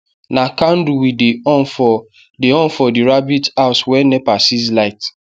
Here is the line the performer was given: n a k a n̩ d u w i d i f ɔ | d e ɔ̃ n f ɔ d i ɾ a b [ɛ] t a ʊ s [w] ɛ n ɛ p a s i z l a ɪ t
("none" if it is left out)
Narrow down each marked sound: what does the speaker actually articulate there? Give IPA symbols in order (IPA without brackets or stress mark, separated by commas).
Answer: i, w